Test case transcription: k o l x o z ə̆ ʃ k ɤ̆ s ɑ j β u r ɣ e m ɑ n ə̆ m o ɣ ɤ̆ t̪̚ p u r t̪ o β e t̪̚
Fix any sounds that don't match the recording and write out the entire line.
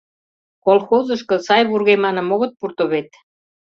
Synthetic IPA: k o l x o z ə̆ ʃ k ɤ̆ s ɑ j β u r ɣ e m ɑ n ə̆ m o ɣ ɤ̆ t̪̚ p u r t̪ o β e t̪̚